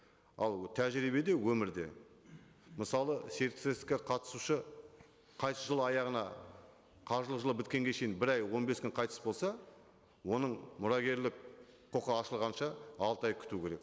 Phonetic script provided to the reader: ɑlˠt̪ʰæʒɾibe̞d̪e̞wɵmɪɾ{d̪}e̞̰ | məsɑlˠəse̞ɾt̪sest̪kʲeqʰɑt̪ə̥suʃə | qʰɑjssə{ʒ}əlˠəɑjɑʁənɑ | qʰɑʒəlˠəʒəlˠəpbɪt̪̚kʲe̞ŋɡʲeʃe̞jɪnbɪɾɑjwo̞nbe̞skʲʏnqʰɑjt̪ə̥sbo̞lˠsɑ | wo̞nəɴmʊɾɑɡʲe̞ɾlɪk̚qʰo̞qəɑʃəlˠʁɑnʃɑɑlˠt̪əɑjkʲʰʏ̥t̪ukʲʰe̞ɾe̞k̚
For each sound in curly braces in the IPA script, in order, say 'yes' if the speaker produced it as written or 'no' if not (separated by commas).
yes, yes